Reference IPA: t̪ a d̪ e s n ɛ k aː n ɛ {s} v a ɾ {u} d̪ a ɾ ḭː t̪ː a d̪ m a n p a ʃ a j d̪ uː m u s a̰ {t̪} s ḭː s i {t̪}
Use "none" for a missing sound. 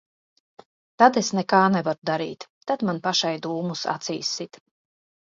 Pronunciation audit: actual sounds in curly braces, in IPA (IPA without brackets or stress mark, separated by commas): none, u, t̪, t̪